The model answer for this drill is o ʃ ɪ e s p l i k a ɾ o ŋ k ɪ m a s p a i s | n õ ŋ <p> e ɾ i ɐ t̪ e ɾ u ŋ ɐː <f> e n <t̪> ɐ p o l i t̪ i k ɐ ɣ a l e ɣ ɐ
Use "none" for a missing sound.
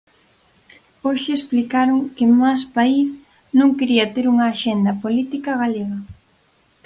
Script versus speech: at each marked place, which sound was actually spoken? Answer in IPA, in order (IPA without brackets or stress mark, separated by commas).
k, ʃ, d̪